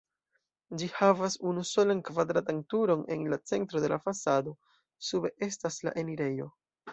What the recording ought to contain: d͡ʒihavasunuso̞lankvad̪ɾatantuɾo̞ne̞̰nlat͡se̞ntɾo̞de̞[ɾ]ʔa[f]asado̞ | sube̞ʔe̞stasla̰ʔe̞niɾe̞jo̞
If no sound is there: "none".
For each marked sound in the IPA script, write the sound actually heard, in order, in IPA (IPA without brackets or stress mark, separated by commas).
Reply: l, f